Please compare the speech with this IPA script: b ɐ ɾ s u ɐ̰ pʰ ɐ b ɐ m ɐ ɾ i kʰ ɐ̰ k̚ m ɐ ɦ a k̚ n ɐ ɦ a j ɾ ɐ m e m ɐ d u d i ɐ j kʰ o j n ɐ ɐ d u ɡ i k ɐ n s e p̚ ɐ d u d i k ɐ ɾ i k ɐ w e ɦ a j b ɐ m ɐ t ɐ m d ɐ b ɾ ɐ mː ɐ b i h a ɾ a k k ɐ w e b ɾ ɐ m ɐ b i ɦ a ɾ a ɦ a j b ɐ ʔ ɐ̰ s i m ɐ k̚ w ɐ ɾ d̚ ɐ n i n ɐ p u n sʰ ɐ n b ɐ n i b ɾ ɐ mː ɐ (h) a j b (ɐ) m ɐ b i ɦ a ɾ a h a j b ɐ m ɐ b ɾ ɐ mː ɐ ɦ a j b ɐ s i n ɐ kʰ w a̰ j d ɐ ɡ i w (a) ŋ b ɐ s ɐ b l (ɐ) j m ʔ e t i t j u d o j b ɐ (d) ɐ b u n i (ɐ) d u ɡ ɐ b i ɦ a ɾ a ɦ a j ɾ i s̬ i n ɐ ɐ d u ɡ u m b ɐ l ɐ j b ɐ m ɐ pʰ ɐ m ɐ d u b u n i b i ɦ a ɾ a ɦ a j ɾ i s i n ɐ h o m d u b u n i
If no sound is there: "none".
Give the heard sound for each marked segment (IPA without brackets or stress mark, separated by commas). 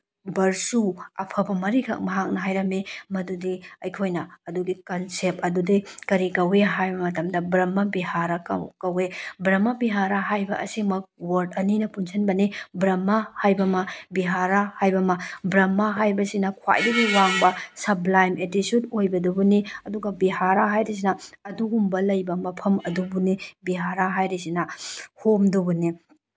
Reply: h, ɐ, a, a, d, ɐ